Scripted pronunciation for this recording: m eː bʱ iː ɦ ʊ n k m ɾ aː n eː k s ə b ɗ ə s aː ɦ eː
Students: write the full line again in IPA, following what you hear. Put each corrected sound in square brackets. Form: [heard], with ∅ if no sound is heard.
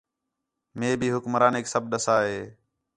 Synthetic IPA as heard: m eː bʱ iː ɦ ʊ [∅] k m ɾ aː n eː k s ə b ɗ ə s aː ɦ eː

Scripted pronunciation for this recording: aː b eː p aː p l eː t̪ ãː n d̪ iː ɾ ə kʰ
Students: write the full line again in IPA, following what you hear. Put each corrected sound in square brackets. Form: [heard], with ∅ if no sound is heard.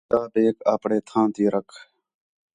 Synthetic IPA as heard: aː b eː [k] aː p [ɽ] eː [t̪ʰ] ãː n [t̪] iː ɾ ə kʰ

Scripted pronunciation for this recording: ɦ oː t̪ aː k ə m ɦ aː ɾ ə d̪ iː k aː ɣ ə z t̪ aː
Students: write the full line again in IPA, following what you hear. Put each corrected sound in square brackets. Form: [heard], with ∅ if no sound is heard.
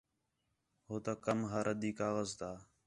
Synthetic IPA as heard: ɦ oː t̪ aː k ə m ɦ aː ɾ ə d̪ iː k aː ɣ ə z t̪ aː

